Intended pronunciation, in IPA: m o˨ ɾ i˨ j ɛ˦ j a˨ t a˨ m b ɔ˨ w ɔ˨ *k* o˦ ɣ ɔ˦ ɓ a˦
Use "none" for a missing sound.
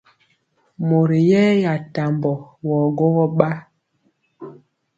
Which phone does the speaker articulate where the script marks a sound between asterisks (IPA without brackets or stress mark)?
ɡ